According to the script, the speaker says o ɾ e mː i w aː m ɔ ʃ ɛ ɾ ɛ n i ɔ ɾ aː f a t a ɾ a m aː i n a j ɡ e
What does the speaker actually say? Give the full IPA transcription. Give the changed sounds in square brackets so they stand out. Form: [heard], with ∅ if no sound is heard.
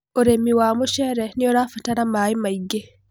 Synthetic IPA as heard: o ɾ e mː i w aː m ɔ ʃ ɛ ɾ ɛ n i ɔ ɾ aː f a t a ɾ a m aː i [m] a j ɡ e